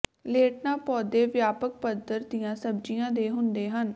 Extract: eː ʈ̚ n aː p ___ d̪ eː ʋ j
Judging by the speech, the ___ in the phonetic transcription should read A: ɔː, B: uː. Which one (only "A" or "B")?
A